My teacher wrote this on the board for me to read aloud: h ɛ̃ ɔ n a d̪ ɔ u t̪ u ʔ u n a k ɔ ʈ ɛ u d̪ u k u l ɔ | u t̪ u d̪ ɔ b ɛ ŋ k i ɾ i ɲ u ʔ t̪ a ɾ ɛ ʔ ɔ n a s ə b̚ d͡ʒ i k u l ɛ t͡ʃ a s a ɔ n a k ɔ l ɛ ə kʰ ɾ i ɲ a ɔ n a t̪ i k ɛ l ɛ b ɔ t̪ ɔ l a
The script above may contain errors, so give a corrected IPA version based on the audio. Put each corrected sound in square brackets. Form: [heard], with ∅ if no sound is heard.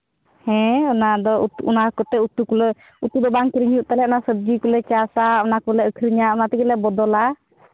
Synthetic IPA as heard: h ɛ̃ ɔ n a d̪ ɔ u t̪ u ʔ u n a k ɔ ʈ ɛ u [t̪] u k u l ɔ | u t̪ u d̪ ɔ b [a] ŋ k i ɾ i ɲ u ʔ t̪ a [l] ɛ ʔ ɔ n a s ə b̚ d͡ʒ i k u l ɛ t͡ʃ a s a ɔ n a k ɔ l ɛ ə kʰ ɾ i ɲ a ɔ n a t̪ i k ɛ l ɛ b ɔ [d̪] ɔ l a

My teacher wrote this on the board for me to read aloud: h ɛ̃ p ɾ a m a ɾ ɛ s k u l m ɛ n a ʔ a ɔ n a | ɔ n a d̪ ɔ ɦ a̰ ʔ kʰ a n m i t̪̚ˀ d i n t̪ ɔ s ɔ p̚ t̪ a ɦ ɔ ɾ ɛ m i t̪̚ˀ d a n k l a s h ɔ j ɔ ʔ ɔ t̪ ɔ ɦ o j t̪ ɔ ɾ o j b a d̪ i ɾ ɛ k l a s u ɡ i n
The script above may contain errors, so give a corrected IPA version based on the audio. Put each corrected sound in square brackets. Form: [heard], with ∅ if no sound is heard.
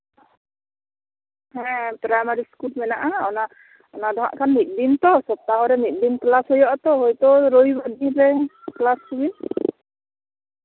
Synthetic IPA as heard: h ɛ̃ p ɾ a m a ɾ [i] s k u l m ɛ n a ʔ a ɔ n a | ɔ n a d̪ ɔ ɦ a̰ ʔ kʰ a n m i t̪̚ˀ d i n t̪ ɔ s ɔ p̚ t̪ a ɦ ɔ ɾ ɛ m i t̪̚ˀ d [i] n k l a s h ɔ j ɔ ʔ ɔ t̪ ɔ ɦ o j t̪ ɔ ɾ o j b a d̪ i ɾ ɛ k l a s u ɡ i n

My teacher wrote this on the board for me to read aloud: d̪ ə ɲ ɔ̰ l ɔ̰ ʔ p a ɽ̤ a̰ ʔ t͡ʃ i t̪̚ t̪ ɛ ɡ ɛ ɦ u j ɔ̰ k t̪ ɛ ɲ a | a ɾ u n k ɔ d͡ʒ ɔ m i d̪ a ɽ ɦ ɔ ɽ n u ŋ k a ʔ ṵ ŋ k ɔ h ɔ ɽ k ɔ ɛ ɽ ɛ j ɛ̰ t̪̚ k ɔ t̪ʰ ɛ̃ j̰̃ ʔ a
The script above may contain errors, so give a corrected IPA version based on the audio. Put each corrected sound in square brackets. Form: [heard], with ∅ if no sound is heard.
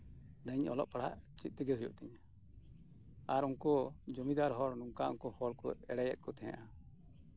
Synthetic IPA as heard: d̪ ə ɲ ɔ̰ l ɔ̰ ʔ p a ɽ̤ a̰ ʔ t͡ʃ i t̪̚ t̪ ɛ ɡ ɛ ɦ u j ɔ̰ [ʔ] t̪ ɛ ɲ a | a ɾ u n k ɔ d͡ʒ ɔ m i d̪ a [ɾ] ɦ ɔ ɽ n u ŋ k a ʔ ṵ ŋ k ɔ h ɔ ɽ k ɔ ɛ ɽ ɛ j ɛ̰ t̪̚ k ɔ t̪ʰ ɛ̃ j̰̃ ʔ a

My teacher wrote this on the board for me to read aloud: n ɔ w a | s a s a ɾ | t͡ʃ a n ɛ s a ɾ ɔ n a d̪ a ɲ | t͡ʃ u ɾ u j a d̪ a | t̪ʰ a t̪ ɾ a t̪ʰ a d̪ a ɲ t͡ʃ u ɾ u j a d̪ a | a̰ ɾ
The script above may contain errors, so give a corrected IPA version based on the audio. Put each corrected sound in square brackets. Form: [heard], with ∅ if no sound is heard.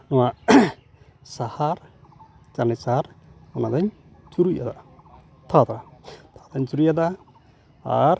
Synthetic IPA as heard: n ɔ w a | s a [h] a ɾ | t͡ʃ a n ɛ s a ɾ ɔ n a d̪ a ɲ | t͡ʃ u ɾ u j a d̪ a | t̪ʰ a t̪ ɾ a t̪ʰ a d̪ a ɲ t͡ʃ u ɾ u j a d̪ a | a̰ ɾ

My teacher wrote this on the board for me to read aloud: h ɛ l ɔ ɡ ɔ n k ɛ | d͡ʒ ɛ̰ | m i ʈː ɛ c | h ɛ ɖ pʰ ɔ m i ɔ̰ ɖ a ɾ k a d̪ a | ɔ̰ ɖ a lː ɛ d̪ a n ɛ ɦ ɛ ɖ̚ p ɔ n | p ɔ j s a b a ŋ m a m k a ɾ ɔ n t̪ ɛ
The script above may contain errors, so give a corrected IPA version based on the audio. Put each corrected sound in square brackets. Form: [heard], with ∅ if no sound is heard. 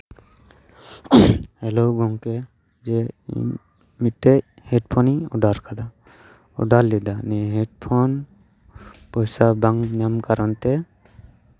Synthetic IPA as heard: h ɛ l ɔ ɡ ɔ [ŋ] k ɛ | d͡ʒ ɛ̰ | m i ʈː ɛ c | h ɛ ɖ pʰ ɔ [n] i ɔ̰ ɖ a ɾ k a d̪ a | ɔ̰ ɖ a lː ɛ d̪ a n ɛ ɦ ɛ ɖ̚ [pʰ] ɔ n | p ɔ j s a b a ŋ [ɲ] a m k a ɾ ɔ n t̪ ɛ

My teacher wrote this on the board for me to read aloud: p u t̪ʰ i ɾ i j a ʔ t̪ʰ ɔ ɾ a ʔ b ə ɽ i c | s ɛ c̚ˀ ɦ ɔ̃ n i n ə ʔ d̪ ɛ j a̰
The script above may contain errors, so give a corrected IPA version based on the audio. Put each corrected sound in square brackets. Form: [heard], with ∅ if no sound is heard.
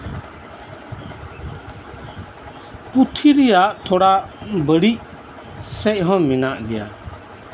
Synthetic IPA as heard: p u t̪ʰ i ɾ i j a ʔ t̪ʰ ɔ [ɽ] a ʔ b ə ɽ i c | s ɛ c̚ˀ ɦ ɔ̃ [m] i n [a] ʔ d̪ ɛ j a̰

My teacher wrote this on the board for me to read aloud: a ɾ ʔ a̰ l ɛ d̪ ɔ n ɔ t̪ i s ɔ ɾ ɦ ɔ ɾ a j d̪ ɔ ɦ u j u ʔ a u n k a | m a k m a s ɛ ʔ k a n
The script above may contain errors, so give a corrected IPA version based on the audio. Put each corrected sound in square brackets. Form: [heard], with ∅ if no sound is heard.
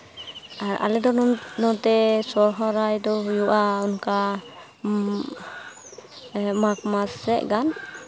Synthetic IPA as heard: a ɾ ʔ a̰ l ɛ d̪ ɔ n ɔ t̪ [ɛ] s ɔ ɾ ɦ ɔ ɾ a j d̪ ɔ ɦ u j u ʔ a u n k a | m a k m a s ɛ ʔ [ɡ] a n

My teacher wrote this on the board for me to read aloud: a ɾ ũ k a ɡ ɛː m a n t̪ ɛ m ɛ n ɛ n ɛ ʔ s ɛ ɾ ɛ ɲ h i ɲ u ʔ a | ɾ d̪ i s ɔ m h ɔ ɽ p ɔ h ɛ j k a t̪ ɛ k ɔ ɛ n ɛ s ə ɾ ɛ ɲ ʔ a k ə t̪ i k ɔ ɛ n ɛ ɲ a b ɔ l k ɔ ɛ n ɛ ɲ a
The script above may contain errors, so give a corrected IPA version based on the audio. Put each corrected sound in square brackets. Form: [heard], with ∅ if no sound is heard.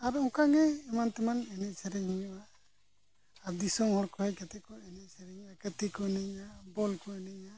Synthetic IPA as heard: a ɾ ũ k a ɡ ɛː m a n t̪ ɛ m [a] n ɛ n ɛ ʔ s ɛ ɾ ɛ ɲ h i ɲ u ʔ a | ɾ d̪ i s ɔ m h ɔ ɽ [k] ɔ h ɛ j k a t̪ ɛ k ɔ ɛ n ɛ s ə ɾ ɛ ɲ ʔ a k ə t̪ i k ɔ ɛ n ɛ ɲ a b ɔ l k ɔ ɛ n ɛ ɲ a

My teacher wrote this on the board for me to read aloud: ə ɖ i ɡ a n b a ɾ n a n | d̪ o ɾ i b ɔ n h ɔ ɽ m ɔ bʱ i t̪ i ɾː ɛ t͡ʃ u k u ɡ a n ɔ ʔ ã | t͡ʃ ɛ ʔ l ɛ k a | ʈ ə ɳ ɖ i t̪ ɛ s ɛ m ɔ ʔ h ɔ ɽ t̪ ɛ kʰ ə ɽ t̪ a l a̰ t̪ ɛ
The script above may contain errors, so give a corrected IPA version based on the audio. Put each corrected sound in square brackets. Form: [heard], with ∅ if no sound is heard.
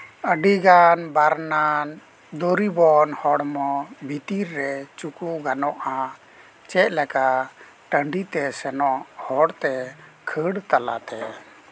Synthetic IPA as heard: ə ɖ i ɡ a n b a ɾ n a n | d̪ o ɾ i b ɔ n h ɔ ɽ m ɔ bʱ i t̪ i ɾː ɛ t͡ʃ u k u ɡ a n ɔ ʔ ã | t͡ʃ ɛ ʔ l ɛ k a | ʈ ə ɳ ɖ i t̪ ɛ s ɛ [n] ɔ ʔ h ɔ ɽ t̪ ɛ kʰ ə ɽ t̪ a l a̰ t̪ ɛ

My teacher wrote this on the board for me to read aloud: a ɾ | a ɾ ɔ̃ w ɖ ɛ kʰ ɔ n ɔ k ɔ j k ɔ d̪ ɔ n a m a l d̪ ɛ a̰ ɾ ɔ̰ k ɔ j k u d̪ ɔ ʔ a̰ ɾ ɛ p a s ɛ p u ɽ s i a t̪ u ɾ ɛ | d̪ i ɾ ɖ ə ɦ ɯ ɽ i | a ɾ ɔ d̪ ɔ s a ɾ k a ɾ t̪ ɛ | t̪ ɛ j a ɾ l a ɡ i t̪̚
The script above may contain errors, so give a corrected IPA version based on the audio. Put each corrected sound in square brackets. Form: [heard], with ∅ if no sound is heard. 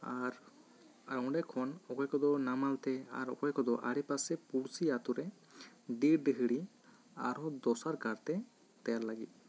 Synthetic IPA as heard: a ɾ | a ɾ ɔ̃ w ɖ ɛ kʰ ɔ n ɔ k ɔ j k ɔ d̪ ɔ n a m a l [t̪] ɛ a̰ ɾ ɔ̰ k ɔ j k [ɔ] d̪ ɔ ʔ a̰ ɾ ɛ p a s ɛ p u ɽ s i a t̪ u ɾ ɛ | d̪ i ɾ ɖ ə ɦ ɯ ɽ i | a ɾ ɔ d̪ ɔ s a ɾ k a ɾ t̪ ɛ | t̪ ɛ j a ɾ l a ɡ i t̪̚

